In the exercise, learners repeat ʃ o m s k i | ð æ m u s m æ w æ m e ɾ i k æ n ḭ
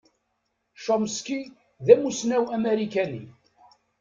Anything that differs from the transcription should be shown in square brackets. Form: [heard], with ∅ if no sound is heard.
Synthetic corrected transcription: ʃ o m s k i | ð æ m u s [n] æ w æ m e ɾ i k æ n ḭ